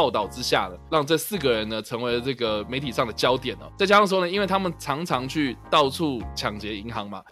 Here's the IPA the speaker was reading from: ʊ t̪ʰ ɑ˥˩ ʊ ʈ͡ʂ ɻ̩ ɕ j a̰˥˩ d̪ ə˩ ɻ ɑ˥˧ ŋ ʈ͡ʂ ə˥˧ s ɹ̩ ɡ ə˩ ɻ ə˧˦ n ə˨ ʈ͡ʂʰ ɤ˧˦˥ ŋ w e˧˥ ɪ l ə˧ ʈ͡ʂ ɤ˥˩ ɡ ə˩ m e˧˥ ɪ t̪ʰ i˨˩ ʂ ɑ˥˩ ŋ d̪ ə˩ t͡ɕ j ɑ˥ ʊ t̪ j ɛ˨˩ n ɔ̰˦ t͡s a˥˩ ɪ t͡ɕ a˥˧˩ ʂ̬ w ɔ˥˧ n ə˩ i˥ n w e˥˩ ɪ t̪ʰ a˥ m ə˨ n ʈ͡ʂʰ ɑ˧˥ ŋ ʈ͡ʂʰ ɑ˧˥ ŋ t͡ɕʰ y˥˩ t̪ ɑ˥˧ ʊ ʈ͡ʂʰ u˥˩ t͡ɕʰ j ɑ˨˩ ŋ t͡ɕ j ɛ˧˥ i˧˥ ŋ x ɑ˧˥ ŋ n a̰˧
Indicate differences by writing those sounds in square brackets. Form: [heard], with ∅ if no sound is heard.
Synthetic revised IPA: ʊ [t̪] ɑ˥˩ ʊ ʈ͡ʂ ɻ̩ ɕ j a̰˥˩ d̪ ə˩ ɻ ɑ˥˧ ŋ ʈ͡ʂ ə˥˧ s ɹ̩ ɡ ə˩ ɻ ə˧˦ n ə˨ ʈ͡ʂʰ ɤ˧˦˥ ŋ w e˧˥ ɪ l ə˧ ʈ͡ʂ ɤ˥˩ ɡ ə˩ m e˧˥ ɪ t̪ʰ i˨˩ ʂ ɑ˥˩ ŋ d̪ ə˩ t͡ɕ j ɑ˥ ʊ t̪ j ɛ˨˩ n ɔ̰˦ t͡s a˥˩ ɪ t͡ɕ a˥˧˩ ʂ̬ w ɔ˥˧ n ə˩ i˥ n w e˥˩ ɪ t̪ʰ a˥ m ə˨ n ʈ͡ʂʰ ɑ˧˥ ŋ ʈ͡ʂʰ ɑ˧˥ ŋ t͡ɕʰ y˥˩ t̪ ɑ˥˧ ʊ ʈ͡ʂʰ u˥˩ t͡ɕʰ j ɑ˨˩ ŋ t͡ɕ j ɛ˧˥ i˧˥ ŋ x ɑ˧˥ ŋ [m] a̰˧